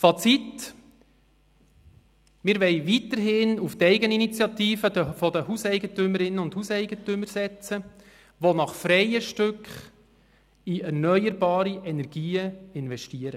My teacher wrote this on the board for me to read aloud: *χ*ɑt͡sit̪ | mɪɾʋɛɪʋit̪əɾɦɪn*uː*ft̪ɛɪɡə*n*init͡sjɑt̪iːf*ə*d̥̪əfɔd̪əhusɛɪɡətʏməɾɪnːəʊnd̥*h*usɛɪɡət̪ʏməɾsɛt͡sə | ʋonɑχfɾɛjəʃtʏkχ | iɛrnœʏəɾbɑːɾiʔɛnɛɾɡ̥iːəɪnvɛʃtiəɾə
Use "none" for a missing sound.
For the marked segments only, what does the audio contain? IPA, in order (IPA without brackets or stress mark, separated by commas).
f, u, n, ə, h